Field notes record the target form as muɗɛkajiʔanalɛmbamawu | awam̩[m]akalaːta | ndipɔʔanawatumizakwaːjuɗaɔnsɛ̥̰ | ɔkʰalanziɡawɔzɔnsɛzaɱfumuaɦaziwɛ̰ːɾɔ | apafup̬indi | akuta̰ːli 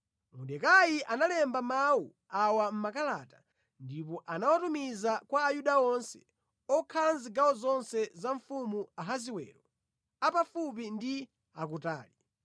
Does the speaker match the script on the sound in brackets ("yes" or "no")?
yes